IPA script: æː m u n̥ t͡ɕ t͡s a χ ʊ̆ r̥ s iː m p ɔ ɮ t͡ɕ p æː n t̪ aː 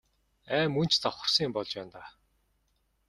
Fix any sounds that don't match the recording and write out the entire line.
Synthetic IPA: æː m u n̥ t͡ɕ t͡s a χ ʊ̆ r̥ s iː m p ɔ ɮ t͡ɕ p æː n t̪ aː